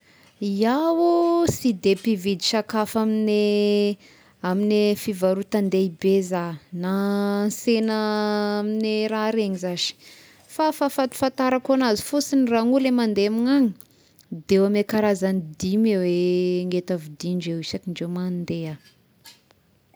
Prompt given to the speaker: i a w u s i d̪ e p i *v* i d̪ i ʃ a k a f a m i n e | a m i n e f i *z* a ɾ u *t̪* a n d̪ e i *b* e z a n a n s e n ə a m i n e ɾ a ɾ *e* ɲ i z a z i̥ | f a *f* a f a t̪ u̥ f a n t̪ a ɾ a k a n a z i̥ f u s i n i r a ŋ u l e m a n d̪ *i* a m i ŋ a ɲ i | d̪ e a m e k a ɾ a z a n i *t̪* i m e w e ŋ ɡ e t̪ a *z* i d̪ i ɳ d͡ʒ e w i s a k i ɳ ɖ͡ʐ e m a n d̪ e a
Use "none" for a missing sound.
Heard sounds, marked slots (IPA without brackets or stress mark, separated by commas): v, v, t̪, b, e, f, e, d̪, v